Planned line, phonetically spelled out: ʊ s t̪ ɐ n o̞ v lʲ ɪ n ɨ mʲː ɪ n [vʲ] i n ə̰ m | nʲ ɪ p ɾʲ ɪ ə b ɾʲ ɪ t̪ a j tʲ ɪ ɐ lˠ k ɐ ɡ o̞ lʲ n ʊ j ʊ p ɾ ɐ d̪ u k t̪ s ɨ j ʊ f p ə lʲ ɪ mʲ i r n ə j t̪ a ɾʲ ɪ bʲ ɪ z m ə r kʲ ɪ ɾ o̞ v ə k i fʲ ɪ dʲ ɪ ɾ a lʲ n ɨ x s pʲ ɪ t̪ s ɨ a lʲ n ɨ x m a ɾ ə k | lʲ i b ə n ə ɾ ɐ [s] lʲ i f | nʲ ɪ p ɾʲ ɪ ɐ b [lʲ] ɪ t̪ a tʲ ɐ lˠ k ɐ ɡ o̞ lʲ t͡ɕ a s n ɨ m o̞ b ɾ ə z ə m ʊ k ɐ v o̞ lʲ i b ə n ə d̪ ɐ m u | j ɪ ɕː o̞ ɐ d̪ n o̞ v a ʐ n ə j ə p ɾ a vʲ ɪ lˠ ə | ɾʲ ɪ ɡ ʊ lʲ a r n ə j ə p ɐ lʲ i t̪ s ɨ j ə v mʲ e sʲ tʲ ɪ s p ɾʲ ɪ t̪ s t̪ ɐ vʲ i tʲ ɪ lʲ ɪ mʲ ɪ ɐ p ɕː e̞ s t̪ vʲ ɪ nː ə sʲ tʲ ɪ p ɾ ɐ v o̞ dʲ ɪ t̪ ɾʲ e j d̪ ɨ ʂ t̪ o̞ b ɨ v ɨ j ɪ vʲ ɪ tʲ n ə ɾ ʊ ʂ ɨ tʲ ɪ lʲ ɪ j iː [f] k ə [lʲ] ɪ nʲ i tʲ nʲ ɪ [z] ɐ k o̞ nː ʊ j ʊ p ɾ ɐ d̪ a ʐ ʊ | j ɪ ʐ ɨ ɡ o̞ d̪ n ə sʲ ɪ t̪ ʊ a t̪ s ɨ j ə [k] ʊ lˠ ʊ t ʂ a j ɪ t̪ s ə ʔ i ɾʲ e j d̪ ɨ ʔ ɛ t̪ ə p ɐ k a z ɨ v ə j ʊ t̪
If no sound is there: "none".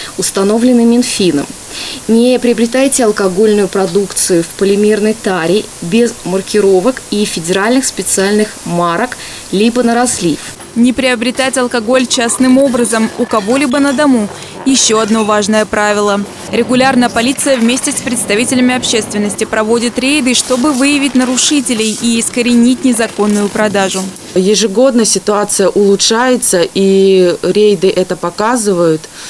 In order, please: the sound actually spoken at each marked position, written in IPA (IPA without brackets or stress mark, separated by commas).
fʲ, s, ɾʲ, s, ɾʲ, z, ʔ